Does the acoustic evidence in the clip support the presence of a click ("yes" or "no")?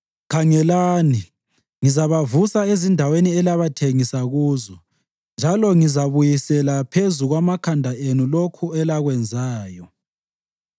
no